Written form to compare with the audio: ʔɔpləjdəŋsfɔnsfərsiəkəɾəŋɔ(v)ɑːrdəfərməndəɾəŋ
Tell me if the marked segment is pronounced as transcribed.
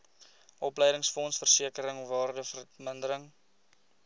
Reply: yes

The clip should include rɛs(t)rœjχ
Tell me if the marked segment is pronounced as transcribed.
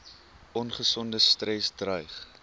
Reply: no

